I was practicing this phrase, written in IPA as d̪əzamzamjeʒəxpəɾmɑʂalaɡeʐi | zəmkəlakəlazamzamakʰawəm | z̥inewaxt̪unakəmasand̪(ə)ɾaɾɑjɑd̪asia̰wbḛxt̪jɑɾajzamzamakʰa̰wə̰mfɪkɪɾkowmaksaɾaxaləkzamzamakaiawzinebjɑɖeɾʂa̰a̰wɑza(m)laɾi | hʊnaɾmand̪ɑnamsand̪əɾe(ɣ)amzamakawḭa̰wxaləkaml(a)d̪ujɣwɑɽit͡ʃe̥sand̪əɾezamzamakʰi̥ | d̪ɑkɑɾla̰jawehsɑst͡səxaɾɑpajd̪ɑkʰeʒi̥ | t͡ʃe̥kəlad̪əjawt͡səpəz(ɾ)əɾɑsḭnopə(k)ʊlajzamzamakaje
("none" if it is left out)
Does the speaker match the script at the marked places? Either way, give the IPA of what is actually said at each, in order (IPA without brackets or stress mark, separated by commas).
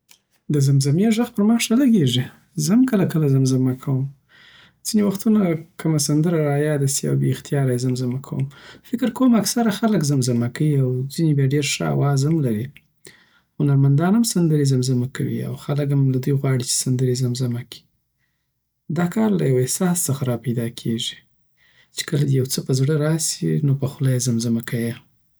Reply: ə, m, z, a, ɽ, x